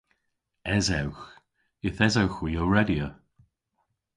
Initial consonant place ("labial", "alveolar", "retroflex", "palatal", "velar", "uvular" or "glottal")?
alveolar